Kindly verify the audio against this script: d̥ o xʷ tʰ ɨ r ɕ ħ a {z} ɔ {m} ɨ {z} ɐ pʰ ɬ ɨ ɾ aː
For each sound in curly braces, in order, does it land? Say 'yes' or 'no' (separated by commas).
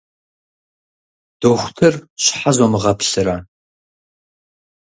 yes, yes, no